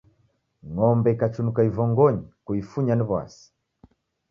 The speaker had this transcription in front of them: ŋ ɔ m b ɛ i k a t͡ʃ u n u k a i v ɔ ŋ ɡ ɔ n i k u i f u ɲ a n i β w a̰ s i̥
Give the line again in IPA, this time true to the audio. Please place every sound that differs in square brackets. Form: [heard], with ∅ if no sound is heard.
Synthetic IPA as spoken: ŋ ɔ m b ɛ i k a t͡ʃ u n u k a i v ɔ ŋ ɡ ɔ [ɲ] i k u i f u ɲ a n i β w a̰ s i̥